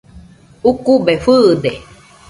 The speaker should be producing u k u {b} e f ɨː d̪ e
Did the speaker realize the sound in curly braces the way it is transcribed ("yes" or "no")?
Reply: yes